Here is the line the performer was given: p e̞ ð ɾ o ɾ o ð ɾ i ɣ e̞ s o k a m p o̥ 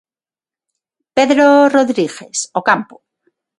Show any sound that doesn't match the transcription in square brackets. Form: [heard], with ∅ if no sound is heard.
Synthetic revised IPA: p e̞ ð ɾ o [r] o ð ɾ i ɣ e̞ s o k a m p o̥